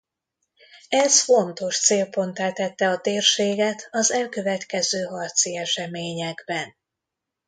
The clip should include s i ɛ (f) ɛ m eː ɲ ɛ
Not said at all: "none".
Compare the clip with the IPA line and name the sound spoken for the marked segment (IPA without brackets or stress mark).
ʃ